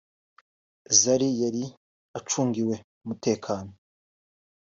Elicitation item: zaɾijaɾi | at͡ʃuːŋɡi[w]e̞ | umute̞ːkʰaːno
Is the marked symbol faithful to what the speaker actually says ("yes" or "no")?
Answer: yes